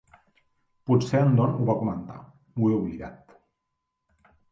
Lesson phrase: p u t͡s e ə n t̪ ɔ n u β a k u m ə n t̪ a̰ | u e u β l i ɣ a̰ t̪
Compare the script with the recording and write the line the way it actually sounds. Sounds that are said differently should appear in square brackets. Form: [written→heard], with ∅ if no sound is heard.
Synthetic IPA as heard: p u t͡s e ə n [t̪→d̪] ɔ n u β a k u m ə n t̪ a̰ | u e u β l i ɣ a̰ t̪